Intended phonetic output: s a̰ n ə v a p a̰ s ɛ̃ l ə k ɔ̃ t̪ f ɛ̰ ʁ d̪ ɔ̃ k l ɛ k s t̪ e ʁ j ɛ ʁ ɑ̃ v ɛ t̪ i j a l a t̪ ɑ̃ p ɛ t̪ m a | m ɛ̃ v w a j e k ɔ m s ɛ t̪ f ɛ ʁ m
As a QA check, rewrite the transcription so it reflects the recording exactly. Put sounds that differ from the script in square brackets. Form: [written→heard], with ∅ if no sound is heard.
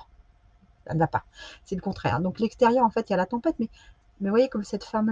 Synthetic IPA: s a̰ n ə v a p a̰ s [ɛ̃→ɛ] l ə k ɔ̃ t̪ [f→χ] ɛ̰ ʁ d̪ ɔ̃ k l ɛ k s t̪ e ʁ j [ɛ→œ] ʁ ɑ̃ [v→f] ɛ t̪ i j a l a t̪ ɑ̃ p ɛ t̪ m [a→ɛ] | m [ɛ̃→ɛ] v w a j e k ɔ m s ɛ t̪ f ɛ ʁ m